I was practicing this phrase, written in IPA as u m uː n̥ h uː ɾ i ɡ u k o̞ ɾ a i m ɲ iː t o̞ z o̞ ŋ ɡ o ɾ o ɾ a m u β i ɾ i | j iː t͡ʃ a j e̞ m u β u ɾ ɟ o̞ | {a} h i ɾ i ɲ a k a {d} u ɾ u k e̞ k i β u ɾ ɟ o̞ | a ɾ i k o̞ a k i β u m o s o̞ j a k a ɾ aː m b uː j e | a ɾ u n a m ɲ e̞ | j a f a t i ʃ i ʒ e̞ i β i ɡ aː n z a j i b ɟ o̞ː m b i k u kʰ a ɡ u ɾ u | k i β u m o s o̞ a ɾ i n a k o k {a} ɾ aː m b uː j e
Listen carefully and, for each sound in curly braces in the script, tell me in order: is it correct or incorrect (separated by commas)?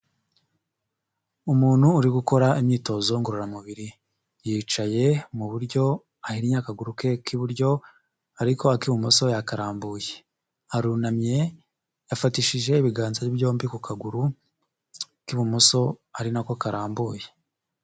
correct, incorrect, correct